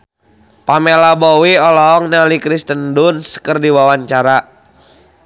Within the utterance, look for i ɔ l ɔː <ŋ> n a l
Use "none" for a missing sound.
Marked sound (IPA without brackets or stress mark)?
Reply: ŋ